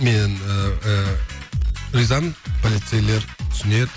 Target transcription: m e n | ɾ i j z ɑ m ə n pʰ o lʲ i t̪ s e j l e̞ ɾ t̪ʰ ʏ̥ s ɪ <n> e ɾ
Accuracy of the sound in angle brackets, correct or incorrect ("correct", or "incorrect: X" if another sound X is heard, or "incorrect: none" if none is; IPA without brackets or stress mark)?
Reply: correct